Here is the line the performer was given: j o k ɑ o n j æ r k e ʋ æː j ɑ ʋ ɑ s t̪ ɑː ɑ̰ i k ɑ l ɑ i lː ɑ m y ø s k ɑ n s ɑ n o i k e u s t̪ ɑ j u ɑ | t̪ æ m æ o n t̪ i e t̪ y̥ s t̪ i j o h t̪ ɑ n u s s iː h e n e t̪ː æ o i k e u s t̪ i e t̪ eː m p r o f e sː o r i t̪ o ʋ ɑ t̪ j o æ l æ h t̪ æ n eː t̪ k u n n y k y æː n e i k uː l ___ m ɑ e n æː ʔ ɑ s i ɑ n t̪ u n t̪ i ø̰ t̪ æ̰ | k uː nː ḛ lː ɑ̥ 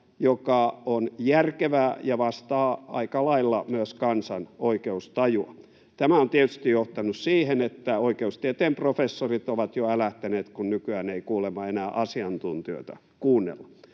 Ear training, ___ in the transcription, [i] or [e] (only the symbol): e